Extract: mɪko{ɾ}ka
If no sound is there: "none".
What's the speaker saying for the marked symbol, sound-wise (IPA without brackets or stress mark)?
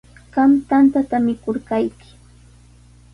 ɾ